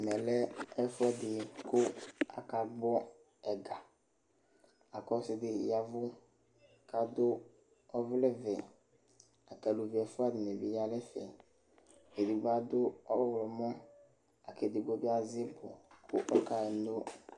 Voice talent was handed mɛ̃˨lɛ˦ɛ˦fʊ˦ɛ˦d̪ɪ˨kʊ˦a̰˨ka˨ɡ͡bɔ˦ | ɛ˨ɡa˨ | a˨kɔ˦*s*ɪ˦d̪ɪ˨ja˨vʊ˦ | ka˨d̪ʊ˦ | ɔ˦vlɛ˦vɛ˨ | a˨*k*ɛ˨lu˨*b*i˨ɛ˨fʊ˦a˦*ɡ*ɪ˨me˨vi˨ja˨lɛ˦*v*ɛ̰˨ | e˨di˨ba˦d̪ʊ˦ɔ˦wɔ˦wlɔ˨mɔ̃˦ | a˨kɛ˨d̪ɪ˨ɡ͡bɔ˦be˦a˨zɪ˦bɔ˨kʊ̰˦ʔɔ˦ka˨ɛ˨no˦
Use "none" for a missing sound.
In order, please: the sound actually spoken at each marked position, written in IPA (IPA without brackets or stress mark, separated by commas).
s, k, v, d, f